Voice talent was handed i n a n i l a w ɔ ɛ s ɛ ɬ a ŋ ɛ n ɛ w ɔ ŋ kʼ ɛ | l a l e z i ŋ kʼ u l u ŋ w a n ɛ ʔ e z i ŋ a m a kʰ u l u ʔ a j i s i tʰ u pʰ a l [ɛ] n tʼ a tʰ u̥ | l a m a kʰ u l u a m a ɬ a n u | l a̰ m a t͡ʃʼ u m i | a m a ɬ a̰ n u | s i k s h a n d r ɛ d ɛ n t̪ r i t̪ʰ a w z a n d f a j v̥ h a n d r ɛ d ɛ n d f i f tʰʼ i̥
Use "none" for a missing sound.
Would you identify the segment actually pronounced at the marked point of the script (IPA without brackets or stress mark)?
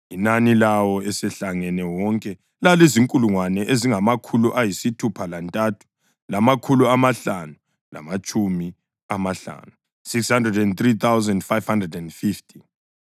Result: a